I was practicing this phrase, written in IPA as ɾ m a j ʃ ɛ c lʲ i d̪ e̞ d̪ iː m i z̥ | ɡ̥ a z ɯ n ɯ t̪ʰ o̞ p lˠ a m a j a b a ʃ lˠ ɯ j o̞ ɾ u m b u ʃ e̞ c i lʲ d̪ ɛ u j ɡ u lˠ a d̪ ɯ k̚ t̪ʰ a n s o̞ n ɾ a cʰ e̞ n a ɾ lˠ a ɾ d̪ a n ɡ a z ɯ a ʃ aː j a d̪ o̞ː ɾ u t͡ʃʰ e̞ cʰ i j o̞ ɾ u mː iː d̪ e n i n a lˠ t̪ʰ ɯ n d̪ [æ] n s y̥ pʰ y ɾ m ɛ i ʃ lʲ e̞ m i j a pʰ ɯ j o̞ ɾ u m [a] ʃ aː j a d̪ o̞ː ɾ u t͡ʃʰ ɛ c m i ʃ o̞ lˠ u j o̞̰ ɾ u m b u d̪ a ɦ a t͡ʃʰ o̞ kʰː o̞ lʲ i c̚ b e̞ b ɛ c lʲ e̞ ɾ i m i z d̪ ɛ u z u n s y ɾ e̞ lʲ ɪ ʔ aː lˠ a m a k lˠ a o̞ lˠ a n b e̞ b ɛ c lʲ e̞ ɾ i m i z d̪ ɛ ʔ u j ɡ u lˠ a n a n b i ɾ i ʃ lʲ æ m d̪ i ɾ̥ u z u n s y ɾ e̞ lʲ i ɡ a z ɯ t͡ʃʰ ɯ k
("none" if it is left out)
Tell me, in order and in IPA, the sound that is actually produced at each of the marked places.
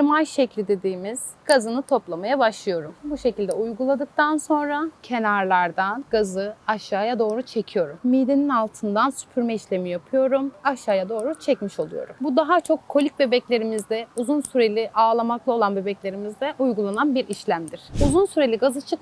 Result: a, a

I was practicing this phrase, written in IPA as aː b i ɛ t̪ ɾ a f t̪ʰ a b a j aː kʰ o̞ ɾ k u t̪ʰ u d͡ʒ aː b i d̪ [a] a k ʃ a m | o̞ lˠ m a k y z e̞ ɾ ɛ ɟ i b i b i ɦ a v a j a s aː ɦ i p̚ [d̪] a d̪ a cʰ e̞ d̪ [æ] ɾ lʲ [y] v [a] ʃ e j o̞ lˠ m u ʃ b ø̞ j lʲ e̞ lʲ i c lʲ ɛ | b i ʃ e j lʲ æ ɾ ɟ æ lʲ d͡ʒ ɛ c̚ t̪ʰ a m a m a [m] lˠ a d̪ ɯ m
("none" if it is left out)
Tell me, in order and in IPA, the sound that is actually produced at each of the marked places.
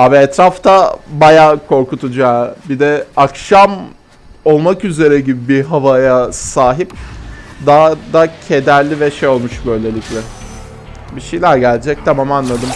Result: ɛ, d̪, æ, i, ɛ, n

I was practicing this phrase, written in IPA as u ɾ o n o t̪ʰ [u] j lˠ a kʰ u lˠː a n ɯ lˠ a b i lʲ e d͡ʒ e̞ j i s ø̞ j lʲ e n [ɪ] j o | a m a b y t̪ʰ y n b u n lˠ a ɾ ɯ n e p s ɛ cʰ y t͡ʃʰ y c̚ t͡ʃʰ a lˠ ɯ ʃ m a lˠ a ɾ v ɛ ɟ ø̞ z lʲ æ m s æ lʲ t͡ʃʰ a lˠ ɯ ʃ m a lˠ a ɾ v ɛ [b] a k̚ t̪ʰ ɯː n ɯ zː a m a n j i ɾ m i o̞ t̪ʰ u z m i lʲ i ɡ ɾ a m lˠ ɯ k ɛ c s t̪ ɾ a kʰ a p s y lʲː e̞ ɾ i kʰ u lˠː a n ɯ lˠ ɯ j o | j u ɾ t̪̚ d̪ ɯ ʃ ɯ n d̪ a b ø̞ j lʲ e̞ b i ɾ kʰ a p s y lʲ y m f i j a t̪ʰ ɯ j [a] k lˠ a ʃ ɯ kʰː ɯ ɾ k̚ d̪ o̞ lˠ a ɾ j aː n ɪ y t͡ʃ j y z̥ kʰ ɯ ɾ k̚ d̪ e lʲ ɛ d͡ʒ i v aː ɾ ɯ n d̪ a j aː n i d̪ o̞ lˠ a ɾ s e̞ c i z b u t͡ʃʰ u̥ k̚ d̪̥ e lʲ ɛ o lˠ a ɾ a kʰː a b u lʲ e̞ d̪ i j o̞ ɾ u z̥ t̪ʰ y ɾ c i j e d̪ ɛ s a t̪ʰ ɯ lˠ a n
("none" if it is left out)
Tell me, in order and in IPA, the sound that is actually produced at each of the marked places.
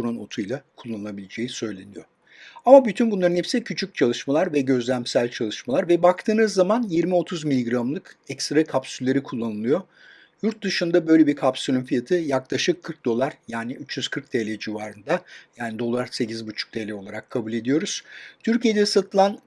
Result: u, i, b, a

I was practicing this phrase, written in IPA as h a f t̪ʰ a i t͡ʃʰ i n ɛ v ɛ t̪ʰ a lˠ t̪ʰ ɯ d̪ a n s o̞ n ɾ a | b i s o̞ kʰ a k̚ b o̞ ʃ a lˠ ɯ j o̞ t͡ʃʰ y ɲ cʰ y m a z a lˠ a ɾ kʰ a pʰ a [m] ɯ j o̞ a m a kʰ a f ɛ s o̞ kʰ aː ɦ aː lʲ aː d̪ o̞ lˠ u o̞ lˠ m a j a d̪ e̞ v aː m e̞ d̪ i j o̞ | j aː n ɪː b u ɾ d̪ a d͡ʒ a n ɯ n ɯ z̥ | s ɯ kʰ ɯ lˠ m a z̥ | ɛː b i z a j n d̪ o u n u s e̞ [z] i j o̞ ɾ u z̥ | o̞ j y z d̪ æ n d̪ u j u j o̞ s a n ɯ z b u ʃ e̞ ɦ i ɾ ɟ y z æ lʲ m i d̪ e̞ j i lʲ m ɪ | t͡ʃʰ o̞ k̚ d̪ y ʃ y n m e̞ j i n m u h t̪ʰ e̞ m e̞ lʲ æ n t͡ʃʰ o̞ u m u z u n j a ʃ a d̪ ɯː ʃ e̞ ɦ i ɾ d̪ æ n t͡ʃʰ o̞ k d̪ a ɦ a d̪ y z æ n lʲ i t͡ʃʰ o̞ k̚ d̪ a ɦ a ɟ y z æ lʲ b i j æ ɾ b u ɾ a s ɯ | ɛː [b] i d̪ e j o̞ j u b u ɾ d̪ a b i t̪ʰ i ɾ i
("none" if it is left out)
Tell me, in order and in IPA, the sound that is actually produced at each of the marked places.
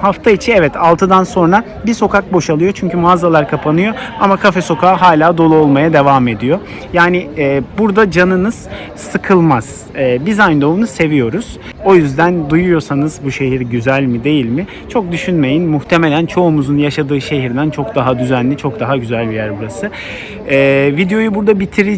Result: n, v, v

